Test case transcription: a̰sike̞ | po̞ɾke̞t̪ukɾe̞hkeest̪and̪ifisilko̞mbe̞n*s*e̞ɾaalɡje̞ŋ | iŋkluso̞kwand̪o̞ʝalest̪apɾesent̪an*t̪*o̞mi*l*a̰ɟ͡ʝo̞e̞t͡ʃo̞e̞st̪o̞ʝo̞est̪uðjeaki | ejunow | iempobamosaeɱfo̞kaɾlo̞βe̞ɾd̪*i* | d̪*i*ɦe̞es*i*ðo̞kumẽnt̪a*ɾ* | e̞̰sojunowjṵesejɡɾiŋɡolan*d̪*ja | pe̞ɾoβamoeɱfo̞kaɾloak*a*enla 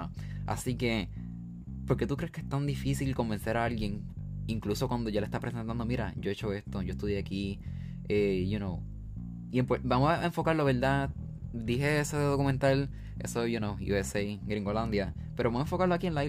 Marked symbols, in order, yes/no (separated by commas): yes, no, no, no, yes, no, no, yes, no